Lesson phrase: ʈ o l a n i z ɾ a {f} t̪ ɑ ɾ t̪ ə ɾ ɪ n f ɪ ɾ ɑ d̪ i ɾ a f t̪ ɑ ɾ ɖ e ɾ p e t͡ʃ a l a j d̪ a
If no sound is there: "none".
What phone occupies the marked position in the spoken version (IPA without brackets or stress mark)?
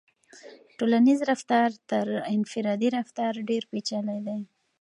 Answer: f